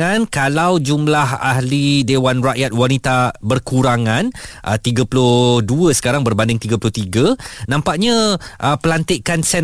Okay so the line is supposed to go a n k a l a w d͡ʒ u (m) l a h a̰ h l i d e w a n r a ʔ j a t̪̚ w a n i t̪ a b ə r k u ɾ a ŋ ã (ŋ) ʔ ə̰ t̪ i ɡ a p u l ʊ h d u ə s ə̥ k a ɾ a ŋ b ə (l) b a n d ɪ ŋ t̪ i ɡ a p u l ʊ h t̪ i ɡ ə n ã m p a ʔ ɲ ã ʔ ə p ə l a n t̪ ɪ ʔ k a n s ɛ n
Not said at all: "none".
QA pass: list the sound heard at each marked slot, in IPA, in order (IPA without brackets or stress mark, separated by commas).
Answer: m, n, r